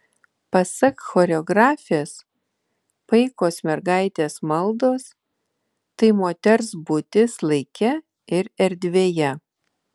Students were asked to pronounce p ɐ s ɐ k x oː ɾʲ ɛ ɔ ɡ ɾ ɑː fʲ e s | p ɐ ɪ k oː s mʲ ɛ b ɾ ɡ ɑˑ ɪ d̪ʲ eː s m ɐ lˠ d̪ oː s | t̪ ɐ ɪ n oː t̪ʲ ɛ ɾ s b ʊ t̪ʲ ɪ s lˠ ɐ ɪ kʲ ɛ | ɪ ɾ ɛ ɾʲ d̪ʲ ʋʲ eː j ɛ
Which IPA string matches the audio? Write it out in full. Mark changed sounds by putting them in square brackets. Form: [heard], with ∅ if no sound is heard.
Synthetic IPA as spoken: p ɐ s ɐ k x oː ɾʲ ɛ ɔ ɡ ɾ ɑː fʲ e s | p ɐ ɪ k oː s mʲ ɛ [∅] ɾ ɡ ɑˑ ɪ [t̪ʲ] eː s m ɐ lˠ d̪ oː s | t̪ ɐ ɪ [m] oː t̪ʲ ɛ ɾ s b ʊ t̪ʲ ɪ s lˠ ɐ ɪ kʲ ɛ | ɪ ɾ ɛ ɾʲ d̪ʲ ʋʲ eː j ɛ